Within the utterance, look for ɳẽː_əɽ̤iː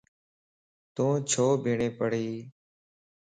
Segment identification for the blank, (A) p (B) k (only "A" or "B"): A